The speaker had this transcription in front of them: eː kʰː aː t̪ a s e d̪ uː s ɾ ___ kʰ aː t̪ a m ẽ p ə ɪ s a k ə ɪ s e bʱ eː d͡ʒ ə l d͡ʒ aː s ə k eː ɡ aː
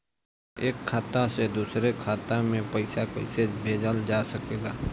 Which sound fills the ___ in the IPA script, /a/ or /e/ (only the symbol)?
e